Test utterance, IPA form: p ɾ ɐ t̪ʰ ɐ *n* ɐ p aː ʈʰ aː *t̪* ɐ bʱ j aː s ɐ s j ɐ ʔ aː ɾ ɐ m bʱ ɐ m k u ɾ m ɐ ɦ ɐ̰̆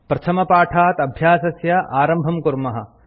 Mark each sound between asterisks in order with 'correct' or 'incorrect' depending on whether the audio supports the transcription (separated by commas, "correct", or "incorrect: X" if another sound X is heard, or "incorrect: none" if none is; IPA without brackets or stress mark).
incorrect: m, correct